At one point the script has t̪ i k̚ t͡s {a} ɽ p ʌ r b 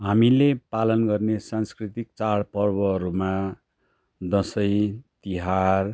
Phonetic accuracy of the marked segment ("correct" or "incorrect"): correct